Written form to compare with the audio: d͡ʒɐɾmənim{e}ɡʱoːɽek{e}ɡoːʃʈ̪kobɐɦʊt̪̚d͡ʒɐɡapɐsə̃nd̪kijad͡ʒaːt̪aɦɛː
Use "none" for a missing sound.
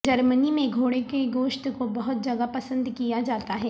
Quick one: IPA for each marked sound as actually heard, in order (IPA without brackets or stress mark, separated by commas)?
ẽ, e